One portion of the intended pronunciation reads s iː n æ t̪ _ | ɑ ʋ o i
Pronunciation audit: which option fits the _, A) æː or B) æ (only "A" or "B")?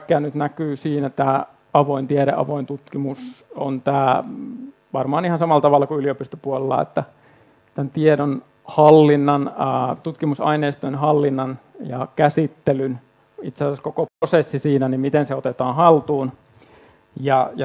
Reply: A